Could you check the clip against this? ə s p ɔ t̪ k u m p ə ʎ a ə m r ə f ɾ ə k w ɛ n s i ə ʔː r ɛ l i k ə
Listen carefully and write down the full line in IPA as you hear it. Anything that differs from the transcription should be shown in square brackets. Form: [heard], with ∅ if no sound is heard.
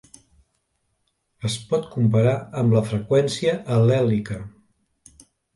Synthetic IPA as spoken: ə s p ɔ t̪ k u m p ə [ɾ] a ə m [l] ə f ɾ ə k w ɛ n s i ə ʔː [l] ɛ l i k ə